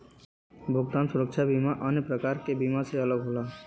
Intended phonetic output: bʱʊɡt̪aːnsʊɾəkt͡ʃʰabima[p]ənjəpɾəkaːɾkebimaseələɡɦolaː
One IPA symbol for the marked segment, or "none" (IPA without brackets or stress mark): ʔ